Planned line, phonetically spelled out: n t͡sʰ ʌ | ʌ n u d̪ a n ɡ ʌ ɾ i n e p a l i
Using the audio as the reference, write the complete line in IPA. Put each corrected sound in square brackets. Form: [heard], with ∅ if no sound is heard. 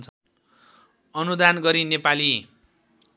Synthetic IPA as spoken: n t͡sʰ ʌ | ʌ n u d̪ a n ɡ ʌ ɾ i n e p a l i